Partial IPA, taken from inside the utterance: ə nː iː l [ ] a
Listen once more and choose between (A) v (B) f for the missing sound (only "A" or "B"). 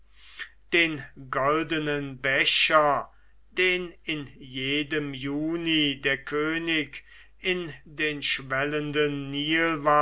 A